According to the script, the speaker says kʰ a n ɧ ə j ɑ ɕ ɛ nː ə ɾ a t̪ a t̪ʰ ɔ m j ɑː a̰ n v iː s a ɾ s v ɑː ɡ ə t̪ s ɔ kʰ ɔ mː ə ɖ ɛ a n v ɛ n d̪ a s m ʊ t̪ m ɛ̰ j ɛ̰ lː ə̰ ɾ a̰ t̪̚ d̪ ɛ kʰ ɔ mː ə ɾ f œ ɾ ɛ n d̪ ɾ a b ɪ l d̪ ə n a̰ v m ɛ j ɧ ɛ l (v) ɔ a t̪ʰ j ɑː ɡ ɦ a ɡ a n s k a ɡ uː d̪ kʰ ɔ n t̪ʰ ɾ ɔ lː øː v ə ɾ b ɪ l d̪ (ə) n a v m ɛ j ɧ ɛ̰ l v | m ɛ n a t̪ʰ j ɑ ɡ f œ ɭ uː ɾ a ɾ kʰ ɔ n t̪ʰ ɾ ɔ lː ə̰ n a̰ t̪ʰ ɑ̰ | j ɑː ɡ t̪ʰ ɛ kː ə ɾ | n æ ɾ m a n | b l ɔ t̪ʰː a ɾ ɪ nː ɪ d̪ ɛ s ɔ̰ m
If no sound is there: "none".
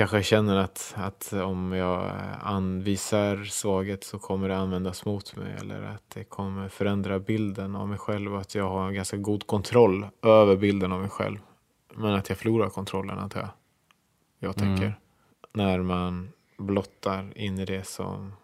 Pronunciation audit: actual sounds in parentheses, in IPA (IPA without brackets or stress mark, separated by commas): v, ə